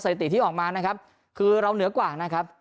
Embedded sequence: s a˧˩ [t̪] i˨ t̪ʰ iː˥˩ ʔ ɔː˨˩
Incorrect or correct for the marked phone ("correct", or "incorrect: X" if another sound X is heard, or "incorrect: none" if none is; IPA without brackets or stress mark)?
correct